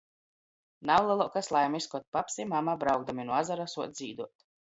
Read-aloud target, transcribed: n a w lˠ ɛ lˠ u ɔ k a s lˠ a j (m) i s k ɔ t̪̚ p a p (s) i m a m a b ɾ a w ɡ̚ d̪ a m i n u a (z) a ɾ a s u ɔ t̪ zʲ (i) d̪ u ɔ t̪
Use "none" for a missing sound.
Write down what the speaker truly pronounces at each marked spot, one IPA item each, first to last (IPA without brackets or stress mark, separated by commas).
m, s, z, iː